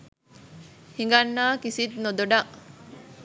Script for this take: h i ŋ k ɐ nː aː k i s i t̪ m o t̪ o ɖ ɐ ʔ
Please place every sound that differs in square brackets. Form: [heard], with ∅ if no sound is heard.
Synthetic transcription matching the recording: h i ŋ [ɡ] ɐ nː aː k i s i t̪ [n] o [d̪] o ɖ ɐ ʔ

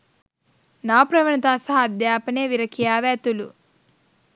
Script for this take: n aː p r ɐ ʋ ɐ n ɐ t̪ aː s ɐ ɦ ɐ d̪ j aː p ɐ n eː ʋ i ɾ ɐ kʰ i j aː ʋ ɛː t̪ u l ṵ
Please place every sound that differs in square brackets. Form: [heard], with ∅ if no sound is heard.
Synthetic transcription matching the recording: n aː p [ɾ] ɐ ʋ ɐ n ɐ t̪ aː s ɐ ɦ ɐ d̪ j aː p ɐ n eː ʋ i ɾ ɐ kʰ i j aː ʋ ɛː t̪ u l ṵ

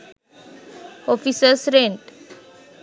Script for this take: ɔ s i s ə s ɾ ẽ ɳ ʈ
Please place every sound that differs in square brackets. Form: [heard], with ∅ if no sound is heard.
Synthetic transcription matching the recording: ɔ [f] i s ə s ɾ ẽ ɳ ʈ

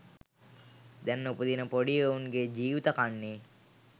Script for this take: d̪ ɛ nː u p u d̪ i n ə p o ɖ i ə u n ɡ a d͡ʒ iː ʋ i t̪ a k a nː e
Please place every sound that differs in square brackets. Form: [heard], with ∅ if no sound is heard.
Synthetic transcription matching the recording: d̪ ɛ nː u p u d̪ i n ə p o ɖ i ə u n ɡ [e] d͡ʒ iː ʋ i t̪ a k a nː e

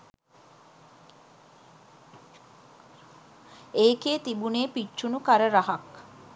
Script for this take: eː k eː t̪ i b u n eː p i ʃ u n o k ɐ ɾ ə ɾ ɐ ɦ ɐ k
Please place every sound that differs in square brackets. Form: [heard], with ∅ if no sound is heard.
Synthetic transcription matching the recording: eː k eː t̪ i b u n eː p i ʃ u n [u] k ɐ ɾ ə ɾ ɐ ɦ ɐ k

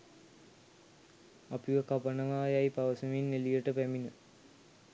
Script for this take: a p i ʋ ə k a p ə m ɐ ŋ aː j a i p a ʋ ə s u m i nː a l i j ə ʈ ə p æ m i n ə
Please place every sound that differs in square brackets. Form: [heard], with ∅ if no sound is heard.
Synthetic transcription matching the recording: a p i ʋ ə k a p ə [n] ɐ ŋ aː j a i p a ʋ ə s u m i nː [e] l i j ə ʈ ə p æ m i n ə

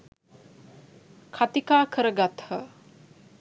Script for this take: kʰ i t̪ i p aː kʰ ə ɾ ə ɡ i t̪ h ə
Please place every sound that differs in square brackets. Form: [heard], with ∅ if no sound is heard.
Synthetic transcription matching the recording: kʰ [a] t̪ i [k] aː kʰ ə ɾ ə ɡ [a] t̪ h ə

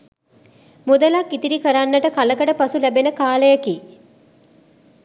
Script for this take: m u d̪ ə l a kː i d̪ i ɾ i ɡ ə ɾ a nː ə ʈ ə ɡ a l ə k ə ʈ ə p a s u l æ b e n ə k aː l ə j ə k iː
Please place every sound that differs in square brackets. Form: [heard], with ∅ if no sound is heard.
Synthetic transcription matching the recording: m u d̪ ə l a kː i [t̪] i ɾ i [k] ə ɾ a nː ə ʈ ə [k] a l ə k ə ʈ ə p a s u l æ b e n ə k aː l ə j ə k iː

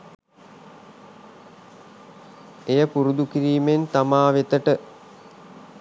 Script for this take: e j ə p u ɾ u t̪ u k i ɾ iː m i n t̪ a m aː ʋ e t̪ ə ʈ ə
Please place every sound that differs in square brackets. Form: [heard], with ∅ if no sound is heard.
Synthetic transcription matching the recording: e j ə p u ɾ u [d̪] u k i ɾ iː m [e] n t̪ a m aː ʋ e t̪ ə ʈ ə

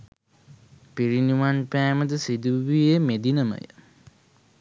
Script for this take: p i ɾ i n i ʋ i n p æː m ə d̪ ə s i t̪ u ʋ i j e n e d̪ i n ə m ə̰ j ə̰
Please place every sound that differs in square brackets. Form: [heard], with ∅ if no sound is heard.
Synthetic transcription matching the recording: p i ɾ i n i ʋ [a] n p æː m ə d̪ ə s i [d̪] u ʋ i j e [m] e d̪ i n ə m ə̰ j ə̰

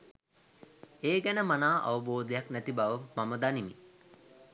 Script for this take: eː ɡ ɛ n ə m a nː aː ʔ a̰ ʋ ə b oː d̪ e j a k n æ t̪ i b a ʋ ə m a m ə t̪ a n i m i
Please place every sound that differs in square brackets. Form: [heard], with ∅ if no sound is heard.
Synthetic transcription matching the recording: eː ɡ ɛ n ə m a [n] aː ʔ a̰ ʋ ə b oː d̪ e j a k n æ t̪ i b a ʋ ə m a m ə [d̪] a n i m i

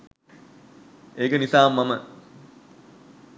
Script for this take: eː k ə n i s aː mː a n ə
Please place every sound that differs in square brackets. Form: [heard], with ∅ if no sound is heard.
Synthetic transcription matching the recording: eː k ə n i s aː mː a [m] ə

